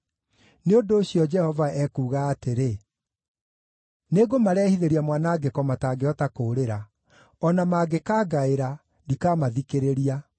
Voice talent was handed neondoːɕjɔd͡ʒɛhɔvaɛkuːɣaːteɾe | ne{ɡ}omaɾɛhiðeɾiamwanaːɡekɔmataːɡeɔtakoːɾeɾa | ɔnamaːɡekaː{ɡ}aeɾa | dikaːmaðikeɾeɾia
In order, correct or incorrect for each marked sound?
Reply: correct, correct

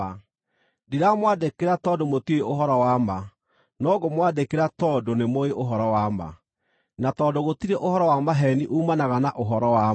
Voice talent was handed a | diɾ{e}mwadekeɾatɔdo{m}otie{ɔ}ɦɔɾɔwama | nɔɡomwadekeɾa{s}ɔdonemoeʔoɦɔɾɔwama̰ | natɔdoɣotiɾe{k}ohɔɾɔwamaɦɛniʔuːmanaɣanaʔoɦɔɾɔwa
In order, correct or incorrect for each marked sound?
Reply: incorrect, correct, incorrect, incorrect, incorrect

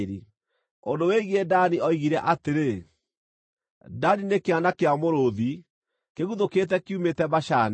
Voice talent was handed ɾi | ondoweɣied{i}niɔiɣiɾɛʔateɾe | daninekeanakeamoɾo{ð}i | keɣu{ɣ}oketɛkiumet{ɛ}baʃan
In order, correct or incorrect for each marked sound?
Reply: incorrect, correct, incorrect, correct

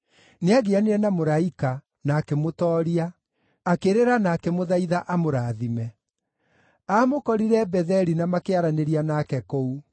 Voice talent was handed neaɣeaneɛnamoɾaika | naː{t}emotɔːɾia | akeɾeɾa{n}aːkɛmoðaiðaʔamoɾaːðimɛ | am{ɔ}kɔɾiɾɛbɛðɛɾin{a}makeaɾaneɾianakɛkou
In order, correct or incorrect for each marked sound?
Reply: incorrect, correct, incorrect, correct

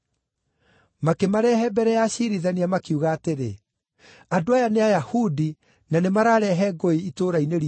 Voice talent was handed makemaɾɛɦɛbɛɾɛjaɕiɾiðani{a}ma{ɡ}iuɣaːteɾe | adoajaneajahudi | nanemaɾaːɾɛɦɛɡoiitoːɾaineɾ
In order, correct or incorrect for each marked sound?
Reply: correct, incorrect

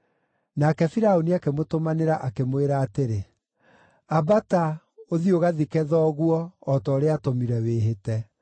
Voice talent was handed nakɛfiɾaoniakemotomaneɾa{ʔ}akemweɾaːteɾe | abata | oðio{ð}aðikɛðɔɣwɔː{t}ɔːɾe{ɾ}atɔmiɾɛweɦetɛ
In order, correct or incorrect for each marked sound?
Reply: correct, incorrect, correct, incorrect

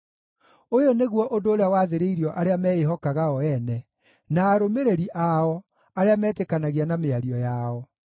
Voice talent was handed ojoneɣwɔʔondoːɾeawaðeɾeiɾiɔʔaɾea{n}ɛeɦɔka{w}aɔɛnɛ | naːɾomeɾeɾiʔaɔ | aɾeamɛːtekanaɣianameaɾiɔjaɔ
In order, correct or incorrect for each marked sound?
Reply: incorrect, incorrect

